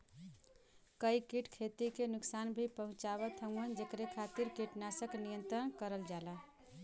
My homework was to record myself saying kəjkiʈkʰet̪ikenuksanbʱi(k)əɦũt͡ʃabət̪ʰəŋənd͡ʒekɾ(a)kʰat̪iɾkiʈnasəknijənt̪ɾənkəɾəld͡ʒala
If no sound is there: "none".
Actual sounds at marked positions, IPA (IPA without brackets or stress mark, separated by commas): p, e